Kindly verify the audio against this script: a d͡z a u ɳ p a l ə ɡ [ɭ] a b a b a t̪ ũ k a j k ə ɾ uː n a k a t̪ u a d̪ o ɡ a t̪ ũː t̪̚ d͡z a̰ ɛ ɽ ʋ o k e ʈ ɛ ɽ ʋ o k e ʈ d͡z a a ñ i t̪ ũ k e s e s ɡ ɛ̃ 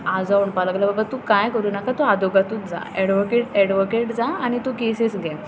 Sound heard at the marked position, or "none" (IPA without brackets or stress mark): l